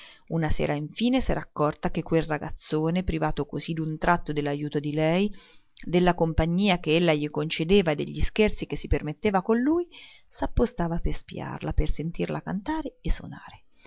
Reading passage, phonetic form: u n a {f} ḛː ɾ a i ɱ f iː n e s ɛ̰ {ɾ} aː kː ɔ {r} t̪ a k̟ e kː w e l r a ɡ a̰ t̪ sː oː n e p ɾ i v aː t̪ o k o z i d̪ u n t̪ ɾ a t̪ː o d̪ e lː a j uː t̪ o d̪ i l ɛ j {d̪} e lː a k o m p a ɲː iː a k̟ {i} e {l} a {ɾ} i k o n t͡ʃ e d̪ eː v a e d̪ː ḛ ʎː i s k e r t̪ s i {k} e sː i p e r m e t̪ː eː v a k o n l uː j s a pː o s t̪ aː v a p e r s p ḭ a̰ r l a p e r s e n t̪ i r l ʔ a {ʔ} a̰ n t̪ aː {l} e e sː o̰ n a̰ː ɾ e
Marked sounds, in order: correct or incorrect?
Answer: incorrect, correct, correct, correct, incorrect, incorrect, incorrect, correct, incorrect, incorrect

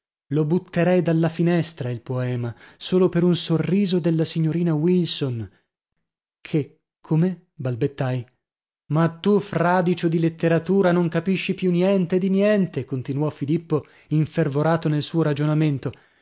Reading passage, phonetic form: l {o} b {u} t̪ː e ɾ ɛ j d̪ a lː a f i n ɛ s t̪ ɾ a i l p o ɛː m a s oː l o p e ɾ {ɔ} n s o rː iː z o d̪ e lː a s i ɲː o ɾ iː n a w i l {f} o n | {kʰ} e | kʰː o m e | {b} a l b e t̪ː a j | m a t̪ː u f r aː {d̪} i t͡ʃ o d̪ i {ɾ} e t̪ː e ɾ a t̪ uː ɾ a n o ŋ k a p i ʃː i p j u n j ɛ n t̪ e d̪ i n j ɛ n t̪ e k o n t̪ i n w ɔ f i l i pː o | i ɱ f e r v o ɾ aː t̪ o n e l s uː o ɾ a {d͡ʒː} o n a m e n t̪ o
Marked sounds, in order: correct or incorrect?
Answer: correct, correct, incorrect, incorrect, correct, correct, correct, incorrect, incorrect

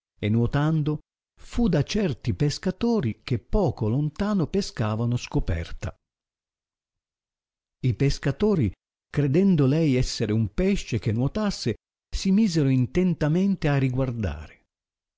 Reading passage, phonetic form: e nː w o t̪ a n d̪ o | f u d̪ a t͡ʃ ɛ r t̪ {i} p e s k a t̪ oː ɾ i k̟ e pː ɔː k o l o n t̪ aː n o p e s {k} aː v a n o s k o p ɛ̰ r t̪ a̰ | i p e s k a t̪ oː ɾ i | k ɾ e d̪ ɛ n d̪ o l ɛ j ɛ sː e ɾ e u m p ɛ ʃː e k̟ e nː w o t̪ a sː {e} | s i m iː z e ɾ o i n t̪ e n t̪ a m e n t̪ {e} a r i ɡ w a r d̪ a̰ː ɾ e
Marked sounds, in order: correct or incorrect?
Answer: correct, correct, correct, correct

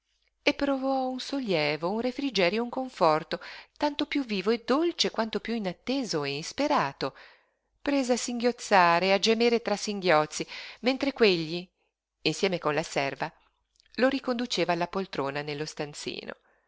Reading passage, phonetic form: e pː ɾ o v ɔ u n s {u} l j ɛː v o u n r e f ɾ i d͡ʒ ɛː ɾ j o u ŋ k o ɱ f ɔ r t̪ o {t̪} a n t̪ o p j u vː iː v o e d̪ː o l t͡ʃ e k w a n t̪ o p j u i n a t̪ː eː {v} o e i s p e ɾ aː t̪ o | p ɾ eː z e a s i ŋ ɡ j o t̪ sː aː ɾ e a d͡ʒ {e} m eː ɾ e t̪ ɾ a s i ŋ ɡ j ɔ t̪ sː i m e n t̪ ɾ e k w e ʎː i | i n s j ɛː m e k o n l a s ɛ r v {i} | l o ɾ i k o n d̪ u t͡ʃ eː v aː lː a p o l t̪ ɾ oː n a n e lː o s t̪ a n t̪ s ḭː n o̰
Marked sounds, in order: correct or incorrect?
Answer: incorrect, correct, incorrect, correct, incorrect

